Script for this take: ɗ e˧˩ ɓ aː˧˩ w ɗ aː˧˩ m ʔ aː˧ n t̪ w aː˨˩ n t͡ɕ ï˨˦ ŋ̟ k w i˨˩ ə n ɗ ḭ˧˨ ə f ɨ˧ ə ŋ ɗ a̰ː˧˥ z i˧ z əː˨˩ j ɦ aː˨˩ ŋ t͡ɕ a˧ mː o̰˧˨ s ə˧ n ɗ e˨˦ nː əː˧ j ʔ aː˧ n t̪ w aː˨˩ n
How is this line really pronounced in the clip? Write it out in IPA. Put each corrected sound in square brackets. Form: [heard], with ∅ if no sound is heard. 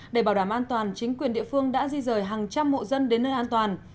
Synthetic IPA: ɗ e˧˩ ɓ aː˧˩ w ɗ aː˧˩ m ʔ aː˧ n t̪ w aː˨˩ n t͡ɕ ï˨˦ ŋ̟ k w i˨˩ ə n ɗ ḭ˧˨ ə f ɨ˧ ə ŋ ɗ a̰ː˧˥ z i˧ z əː˨˩ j ɦ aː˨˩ ŋ t͡ɕ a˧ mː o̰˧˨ [z] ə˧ n ɗ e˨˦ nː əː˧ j ʔ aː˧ n t̪ w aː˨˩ n